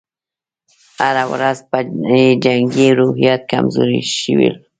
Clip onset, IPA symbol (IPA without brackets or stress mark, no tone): h